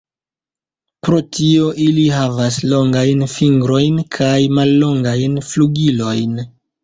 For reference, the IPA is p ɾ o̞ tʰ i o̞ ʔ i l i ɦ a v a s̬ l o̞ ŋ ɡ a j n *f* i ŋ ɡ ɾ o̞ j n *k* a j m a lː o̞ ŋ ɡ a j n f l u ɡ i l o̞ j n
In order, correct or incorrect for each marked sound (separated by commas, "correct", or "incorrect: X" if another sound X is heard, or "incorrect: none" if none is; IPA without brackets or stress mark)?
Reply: correct, incorrect: kʰ